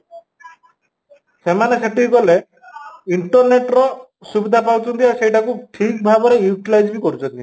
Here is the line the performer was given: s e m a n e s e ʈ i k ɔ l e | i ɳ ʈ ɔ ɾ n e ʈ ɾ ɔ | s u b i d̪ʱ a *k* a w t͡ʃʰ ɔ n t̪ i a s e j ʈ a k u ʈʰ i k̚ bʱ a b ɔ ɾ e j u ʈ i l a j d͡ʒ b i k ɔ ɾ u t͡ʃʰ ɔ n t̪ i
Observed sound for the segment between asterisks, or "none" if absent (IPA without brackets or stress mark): p